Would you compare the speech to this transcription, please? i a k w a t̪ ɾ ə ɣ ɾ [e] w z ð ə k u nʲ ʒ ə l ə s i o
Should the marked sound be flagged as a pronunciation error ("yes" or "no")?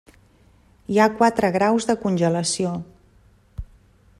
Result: yes